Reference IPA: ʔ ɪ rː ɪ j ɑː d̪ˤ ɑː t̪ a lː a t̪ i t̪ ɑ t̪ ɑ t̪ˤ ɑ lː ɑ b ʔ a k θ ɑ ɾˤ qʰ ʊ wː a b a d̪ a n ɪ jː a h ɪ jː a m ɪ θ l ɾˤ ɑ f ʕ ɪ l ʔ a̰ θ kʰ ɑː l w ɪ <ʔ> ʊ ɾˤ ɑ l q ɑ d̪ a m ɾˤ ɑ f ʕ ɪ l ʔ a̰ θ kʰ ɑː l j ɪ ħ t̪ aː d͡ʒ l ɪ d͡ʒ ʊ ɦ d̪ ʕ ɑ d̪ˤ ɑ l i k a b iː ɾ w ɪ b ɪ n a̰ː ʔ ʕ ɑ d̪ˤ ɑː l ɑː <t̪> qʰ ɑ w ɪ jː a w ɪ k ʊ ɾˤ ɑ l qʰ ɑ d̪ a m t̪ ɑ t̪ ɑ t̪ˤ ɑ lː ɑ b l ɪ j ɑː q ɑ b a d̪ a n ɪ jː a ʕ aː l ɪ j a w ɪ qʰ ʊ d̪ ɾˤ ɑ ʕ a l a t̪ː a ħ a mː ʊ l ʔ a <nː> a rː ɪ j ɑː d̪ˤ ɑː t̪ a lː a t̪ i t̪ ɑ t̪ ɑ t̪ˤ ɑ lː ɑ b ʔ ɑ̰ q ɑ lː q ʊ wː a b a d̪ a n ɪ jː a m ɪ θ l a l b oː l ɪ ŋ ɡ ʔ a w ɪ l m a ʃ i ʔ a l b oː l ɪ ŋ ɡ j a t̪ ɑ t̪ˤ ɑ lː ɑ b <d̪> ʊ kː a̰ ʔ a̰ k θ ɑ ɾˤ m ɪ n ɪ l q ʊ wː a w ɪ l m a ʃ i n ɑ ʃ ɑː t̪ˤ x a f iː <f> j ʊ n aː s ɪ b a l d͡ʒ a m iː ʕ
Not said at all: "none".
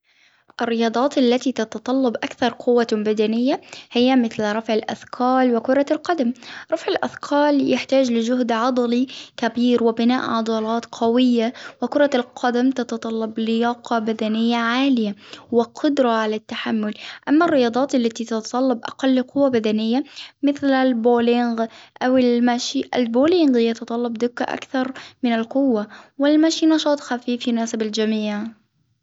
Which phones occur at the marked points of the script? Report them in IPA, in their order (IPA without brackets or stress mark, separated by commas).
k, t̪, mː, d̪, f